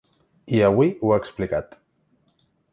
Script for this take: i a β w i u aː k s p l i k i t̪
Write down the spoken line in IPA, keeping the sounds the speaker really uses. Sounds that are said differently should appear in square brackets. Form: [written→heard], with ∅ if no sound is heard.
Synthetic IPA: i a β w i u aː k s p l i k [i→a] t̪